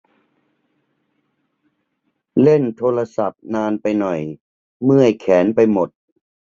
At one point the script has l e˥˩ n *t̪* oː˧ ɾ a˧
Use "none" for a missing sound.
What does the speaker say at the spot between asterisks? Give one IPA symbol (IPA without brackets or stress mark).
t̪ʰ